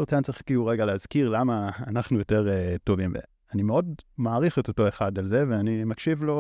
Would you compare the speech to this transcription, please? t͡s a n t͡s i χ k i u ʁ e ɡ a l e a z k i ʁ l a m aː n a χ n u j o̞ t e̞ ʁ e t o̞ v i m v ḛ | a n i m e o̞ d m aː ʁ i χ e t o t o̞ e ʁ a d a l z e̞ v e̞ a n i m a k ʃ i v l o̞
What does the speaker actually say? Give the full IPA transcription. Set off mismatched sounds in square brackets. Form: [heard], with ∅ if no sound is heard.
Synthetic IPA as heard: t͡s a n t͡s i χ k i u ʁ e ɡ a l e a z k i ʁ l a m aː n a χ n u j o̞ t e̞ ʁ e t o̞ v i m v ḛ | a n i m e o̞ d m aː ʁ i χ e t o t o̞ e [χ] a d a l z e̞ v e̞ a n i m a k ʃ i v l o̞